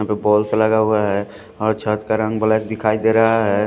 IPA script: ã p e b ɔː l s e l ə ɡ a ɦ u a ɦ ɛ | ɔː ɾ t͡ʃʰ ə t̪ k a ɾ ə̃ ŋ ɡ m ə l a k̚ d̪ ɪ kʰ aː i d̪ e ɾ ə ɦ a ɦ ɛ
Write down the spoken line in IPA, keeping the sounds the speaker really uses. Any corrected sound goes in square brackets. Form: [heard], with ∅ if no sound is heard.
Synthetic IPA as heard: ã p e b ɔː l s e l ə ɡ a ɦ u a ɦ ɛ | ɔː ɾ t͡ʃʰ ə t̪ k a ɾ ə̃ ŋ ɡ [b] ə l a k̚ d̪ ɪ kʰ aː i d̪ e ɾ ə ɦ a ɦ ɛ